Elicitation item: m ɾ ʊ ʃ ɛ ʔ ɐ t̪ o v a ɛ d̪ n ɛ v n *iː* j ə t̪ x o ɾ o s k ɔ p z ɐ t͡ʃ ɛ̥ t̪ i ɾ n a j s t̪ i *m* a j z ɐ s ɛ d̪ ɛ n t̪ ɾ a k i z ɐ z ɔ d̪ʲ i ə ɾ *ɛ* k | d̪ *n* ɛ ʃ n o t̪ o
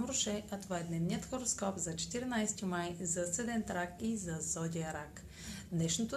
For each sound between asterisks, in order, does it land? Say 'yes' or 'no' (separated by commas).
no, yes, no, yes